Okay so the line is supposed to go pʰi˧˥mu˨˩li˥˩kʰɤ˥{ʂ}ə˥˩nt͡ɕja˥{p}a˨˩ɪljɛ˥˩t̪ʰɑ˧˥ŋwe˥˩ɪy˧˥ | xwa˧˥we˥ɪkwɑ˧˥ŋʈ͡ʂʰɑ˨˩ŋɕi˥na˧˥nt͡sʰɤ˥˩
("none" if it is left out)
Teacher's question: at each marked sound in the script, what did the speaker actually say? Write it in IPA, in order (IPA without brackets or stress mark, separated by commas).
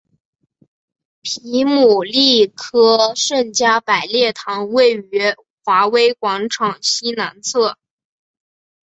ʂ, p